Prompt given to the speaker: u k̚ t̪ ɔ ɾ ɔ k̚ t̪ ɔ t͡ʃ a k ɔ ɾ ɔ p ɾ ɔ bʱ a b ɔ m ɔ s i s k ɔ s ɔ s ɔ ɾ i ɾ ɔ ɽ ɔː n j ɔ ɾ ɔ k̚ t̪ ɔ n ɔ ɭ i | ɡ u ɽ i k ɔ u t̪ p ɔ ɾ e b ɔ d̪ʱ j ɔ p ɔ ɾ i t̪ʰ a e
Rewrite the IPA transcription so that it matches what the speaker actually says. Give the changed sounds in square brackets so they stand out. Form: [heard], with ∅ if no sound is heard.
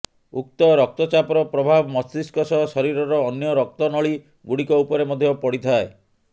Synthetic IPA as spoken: u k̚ t̪ ɔ ɾ ɔ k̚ t̪ ɔ t͡ʃ a [p] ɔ ɾ ɔ p ɾ ɔ bʱ a b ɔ m ɔ s i s k ɔ s ɔ s ɔ ɾ i ɾ ɔ [ɾ] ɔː n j ɔ ɾ ɔ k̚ t̪ ɔ n ɔ ɭ i | ɡ u ɽ i k ɔ u [∅] p ɔ ɾ e [m] ɔ d̪ʱ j ɔ p ɔ [ɽ] i t̪ʰ a e